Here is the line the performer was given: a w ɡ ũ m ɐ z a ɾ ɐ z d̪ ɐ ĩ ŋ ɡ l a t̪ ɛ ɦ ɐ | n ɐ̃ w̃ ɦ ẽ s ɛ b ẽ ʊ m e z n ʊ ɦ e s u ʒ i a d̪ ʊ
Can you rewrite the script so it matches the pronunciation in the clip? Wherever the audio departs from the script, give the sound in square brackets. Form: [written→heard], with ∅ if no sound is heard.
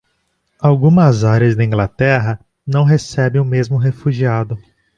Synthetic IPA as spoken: a w ɡ ũ m ɐ z a ɾ ɐ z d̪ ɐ ĩ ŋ ɡ l a t̪ ɛ ɦ ɐ | n ɐ̃ w̃ ɦ [ẽ→e] s ɛ b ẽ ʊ m e z [n→m] ʊ ɦ e [s→f] u ʒ i a d̪ ʊ